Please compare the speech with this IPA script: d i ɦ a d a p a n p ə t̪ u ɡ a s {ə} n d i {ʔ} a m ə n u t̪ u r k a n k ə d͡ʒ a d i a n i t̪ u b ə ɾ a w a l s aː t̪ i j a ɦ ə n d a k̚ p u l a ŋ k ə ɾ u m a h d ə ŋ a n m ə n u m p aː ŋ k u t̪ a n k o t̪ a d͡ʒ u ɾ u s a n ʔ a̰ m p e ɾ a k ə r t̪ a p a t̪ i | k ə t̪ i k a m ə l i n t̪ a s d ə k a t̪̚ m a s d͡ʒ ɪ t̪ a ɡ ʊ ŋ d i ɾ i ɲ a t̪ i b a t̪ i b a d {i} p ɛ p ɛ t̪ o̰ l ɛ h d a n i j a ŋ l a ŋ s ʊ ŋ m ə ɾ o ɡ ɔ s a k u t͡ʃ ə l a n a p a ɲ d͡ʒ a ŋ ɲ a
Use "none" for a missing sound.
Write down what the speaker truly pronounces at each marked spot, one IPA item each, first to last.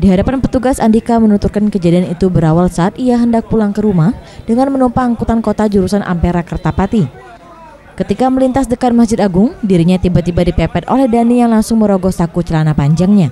a, k, i

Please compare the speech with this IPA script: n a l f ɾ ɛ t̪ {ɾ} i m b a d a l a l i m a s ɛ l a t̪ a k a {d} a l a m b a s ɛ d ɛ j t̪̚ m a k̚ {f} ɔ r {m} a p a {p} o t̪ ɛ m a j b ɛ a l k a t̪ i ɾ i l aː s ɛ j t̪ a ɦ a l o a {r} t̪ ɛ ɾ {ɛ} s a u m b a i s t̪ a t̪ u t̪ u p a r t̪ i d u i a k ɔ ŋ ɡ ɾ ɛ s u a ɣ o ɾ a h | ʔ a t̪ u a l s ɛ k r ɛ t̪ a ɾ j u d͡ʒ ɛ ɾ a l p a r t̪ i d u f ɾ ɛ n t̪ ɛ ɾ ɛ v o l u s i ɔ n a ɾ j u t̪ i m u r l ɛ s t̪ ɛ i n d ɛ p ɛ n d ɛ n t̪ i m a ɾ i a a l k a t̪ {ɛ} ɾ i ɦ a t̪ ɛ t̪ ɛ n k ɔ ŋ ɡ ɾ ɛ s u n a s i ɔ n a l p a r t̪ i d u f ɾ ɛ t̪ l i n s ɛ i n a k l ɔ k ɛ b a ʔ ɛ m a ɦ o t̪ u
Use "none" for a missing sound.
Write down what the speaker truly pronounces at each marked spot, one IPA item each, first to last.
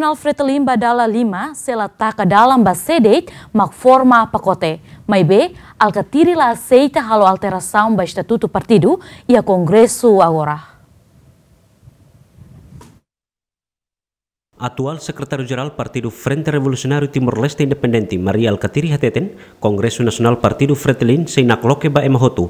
l, d, f, m, k, l, a, i

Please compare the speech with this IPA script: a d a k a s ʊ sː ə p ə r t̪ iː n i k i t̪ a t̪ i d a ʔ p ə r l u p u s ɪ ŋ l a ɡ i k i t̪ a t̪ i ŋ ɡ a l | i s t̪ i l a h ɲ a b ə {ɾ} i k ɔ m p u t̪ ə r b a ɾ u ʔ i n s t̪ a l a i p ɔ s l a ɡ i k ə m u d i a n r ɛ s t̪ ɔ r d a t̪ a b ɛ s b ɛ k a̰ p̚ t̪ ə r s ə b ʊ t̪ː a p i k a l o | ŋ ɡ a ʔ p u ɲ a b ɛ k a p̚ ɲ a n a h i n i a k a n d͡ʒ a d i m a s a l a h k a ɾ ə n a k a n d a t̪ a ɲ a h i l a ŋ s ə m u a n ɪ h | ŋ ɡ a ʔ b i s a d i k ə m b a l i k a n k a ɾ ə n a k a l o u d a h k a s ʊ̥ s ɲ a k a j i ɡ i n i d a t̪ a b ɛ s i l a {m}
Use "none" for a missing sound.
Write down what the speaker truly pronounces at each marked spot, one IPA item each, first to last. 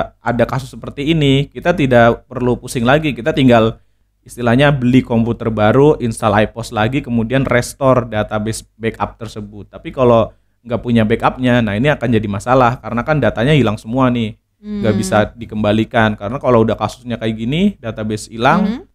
l, ŋ

